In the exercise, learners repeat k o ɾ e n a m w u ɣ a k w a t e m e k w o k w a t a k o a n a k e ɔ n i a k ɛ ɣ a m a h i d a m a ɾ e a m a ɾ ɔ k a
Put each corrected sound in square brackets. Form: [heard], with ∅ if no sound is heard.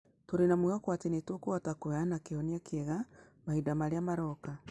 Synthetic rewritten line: [t] o ɾ e n a m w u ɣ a k w a t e [n] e [t] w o k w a t a k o a n a k e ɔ n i a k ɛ ɣ a m a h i d a m a ɾ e a m a ɾ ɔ k a